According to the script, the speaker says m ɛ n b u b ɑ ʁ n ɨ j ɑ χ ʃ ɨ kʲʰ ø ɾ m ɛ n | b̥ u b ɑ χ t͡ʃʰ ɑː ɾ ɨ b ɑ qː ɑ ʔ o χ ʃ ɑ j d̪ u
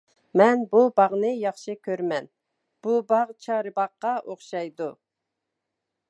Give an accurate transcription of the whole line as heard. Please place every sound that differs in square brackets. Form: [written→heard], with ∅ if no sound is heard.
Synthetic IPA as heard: m ɛ n b u b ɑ ʁ n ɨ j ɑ χ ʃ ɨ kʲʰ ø ɾ m ɛ n | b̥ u b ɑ [χ→ʁ] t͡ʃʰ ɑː ɾ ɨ b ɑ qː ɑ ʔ o χ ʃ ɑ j d̪ u

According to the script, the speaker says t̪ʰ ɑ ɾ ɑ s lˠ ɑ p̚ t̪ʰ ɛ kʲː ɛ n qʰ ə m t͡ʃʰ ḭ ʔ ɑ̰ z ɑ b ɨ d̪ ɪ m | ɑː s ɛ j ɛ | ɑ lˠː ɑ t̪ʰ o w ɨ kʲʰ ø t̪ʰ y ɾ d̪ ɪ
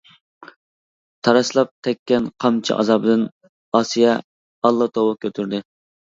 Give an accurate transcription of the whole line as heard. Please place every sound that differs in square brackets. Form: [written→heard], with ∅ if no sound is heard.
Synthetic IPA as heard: t̪ʰ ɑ ɾ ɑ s lˠ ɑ p̚ t̪ʰ ɛ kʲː ɛ n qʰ [ə→ɑ] m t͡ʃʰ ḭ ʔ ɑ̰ z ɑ b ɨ d̪ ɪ [m→n] | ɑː s [ɛ→i] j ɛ | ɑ lˠː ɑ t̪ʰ o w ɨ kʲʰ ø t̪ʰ y ɾ d̪ ɪ

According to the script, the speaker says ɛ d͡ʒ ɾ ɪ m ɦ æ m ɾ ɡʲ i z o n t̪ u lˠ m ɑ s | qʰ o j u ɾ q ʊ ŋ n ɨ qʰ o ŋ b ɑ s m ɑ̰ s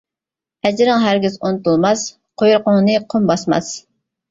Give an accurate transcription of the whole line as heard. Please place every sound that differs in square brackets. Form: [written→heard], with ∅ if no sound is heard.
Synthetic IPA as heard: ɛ d͡ʒ ɾ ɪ [m→ŋ] ɦ æ [m→∅] ɾ ɡʲ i z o n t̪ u lˠ m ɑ s | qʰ o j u ɾ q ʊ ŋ n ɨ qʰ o [ŋ→m] b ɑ s m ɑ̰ s

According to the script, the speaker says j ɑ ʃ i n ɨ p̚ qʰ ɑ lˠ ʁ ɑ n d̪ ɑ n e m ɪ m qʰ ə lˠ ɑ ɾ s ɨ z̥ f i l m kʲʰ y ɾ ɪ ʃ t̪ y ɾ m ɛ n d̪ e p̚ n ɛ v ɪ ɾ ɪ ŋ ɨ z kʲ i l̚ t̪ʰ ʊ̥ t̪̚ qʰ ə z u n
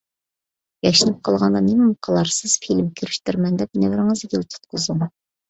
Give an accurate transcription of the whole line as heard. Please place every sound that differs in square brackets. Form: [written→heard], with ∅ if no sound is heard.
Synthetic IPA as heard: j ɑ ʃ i n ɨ p̚ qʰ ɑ lˠ ʁ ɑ n d̪ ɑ n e m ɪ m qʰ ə lˠ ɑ ɾ s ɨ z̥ f i l m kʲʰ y ɾ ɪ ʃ t̪ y ɾ m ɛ n d̪ [e→ɛ] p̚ n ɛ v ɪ ɾ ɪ ŋ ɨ z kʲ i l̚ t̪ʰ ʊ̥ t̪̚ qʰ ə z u [n→ŋ]

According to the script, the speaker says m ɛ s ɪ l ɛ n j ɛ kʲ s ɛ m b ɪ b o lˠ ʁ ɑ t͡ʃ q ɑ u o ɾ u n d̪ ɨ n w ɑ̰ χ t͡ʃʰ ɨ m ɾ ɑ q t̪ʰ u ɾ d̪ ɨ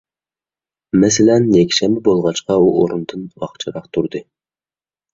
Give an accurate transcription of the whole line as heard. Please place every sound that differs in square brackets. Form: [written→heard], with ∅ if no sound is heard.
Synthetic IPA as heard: m ɛ s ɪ l ɛ n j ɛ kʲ [s→ʃ] ɛ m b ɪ b o lˠ ʁ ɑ t͡ʃ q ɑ u o ɾ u n d̪ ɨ n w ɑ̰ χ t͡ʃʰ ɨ [m→∅] ɾ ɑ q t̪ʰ u ɾ d̪ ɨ

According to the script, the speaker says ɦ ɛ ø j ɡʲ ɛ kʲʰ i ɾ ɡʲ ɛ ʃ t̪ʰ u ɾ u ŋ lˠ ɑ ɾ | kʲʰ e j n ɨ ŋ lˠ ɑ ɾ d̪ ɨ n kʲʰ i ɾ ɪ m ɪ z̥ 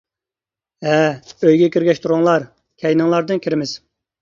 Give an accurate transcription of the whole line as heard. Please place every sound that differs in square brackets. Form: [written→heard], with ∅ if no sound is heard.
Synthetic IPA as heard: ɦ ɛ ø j ɡʲ ɛ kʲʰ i ɾ ɡʲ ɛ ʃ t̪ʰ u ɾ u ŋ lˠ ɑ ɾ | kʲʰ [e→ɛ] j n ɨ ŋ lˠ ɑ ɾ d̪ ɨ n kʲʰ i ɾ ɪ m ɪ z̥

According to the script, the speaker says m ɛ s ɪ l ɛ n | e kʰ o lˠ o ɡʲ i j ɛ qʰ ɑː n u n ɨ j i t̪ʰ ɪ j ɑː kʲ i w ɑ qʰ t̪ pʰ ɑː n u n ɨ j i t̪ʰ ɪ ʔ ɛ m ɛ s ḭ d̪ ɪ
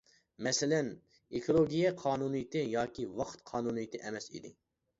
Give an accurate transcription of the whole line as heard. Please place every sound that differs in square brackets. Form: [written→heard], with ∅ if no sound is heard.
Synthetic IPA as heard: m ɛ s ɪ l ɛ n | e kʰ o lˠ o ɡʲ i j ɛ qʰ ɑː n u n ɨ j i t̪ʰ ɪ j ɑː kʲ i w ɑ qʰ t̪ [pʰ→qʰ] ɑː n u n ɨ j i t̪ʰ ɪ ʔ ɛ m ɛ s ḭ d̪ ɪ

